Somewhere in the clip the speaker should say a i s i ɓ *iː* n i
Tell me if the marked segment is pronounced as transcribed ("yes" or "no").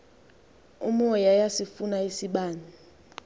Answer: no